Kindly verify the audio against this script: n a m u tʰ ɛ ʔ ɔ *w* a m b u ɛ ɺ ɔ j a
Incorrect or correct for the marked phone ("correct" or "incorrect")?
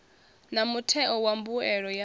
correct